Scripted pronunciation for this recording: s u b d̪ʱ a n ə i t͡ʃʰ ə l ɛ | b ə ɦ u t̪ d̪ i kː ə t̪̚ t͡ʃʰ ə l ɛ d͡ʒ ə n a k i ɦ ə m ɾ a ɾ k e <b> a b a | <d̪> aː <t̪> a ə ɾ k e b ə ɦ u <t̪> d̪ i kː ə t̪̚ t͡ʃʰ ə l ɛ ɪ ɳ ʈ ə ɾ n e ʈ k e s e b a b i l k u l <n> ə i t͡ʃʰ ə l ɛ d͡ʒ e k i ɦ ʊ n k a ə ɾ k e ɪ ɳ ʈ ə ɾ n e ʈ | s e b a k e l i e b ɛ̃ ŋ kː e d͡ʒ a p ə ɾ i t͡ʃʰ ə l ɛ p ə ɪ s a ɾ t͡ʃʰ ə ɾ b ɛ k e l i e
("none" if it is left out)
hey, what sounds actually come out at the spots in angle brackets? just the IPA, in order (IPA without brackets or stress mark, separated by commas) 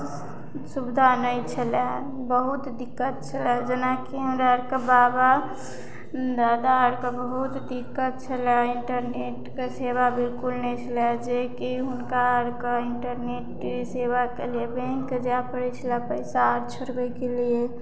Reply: b, d̪, d̪, t̪, n